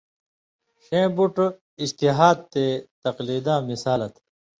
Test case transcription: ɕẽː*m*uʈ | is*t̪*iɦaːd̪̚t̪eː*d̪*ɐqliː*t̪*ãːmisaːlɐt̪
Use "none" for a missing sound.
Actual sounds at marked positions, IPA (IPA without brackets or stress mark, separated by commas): b, t̪, t̪, d̪